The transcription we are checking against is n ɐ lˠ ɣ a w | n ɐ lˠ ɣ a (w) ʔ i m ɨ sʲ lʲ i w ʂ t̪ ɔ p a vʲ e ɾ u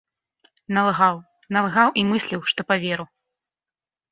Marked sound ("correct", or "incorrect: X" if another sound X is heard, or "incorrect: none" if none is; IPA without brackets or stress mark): correct